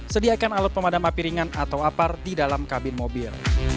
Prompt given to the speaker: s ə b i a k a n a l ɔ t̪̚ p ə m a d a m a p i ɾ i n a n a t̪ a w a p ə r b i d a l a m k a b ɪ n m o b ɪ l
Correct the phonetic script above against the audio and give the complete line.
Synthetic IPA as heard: s ə d i a k a n a l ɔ t̪̚ p ə m a d a m a p i ɾ i ŋ a n a t̪ a w a p a r d i d a l a m k a b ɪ n m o b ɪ l